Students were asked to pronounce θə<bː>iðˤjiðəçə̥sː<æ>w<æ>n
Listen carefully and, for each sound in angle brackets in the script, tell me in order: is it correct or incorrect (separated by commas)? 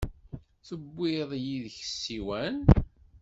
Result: correct, incorrect, correct